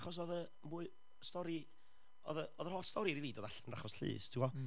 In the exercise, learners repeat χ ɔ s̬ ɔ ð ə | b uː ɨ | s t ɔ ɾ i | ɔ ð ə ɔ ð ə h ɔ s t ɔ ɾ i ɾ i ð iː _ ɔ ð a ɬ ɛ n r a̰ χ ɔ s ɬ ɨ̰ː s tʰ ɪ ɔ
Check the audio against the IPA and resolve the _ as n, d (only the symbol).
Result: d